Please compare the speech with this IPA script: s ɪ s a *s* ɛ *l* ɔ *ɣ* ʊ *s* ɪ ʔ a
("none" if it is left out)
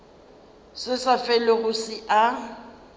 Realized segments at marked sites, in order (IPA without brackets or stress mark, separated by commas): f, l, ɣ, s